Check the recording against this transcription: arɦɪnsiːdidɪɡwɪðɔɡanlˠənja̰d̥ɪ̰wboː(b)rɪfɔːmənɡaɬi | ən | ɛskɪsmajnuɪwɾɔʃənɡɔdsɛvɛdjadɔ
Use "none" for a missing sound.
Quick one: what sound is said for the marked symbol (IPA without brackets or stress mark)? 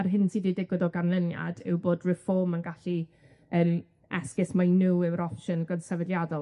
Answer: d